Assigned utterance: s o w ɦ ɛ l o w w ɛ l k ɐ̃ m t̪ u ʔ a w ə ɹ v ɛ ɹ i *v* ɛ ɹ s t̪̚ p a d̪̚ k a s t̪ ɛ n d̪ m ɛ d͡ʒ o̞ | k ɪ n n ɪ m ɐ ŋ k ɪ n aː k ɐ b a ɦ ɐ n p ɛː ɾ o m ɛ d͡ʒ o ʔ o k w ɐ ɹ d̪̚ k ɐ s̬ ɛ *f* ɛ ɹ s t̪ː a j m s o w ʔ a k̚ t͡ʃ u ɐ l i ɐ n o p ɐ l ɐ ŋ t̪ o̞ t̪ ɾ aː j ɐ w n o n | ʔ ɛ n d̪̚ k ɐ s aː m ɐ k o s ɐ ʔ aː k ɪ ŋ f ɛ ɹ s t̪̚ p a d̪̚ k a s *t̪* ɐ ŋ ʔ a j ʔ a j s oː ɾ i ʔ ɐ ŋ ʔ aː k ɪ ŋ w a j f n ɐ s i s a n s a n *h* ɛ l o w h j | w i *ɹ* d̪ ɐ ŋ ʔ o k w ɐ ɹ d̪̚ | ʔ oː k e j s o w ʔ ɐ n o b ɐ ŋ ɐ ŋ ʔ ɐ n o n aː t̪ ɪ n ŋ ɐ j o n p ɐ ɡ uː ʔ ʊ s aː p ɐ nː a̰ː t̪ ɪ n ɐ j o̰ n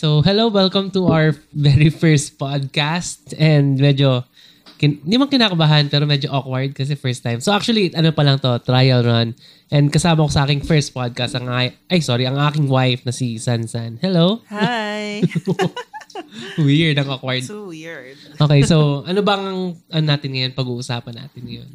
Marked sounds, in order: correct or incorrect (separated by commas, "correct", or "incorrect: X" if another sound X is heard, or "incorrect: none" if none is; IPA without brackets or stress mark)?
incorrect: f, correct, correct, correct, correct